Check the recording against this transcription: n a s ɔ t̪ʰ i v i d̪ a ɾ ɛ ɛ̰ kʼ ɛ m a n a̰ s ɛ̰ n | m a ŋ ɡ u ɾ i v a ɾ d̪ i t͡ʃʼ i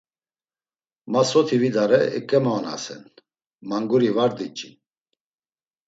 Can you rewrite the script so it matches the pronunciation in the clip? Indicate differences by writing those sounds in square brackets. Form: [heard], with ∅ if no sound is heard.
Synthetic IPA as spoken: [m] a s ɔ t̪ʰ i v i d̪ a ɾ ɛ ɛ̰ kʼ ɛ m a n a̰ s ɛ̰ n | m a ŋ ɡ u ɾ i v a ɾ d̪ i t͡ʃʼ i